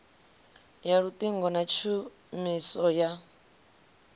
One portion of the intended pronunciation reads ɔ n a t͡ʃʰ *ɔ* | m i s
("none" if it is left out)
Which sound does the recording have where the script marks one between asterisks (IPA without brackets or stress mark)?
u